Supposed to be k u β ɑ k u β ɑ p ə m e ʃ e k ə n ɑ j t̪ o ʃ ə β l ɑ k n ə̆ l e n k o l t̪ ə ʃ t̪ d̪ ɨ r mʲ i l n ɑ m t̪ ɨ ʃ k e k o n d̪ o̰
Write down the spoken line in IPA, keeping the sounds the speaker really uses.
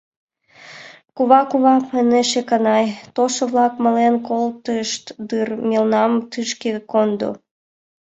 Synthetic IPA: k u β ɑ k u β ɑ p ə n e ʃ e k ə n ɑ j t̪ o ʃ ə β l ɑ k m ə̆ l e n k o l t̪ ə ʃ t̪ d̪ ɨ r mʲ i l n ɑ m t̪ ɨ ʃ k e k o n d̪ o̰